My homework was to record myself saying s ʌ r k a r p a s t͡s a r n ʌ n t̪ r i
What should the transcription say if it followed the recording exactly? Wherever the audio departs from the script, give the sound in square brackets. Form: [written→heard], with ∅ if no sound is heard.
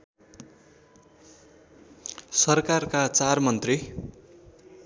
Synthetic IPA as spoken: s ʌ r k a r [p→k] a [s→∅] t͡s a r [n→m] ʌ n t̪ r i